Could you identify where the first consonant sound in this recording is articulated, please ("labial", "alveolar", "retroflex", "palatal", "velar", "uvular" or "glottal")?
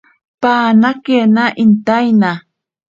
labial